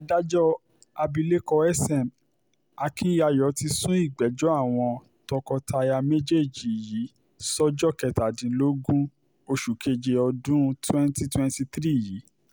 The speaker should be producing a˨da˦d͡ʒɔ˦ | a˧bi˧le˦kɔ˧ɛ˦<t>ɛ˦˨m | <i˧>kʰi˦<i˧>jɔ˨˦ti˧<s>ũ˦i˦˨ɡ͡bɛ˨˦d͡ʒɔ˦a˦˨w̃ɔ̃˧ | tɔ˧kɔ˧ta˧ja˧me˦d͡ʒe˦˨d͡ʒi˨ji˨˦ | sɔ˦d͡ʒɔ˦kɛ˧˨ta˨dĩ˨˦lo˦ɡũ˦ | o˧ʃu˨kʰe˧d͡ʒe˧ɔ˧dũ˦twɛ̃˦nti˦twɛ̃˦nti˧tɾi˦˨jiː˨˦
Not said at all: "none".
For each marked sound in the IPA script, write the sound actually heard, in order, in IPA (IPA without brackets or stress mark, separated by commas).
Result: s, a˧, a˧, s